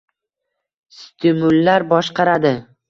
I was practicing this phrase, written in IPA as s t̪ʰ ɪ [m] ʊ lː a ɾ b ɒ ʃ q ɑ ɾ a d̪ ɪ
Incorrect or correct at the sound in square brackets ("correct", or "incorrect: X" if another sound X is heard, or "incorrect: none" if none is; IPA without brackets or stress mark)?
correct